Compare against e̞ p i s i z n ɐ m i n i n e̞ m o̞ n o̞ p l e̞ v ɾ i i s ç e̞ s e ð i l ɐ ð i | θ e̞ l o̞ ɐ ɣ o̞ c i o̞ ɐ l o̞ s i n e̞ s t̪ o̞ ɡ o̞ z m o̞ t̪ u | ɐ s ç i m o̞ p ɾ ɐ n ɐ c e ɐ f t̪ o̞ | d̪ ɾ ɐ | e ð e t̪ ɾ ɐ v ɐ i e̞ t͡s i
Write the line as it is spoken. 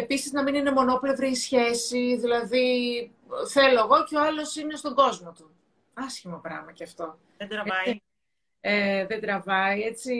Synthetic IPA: e̞ p i s i z n ɐ m i n i n e̞ m o̞ n o̞ p l e̞ v ɾ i i s ç e̞ s i ð i l ɐ ð i | θ e̞ l o̞ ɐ ɣ o̞ c e o̞ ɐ l o̞ s i n e̞ s t̪ o̞ ɡ o̞ z m o̞ t̪ u | ɐ s ç i m o̞ p ɾ ɐ m ɐ c e ɐ f t̪ o̞ | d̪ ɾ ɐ | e ð e d̪ ɾ ɐ v ɐ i e̞ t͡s i